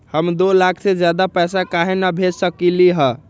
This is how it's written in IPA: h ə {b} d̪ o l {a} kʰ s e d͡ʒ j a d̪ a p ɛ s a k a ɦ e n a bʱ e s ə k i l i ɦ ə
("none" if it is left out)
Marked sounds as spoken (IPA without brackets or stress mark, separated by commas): m, a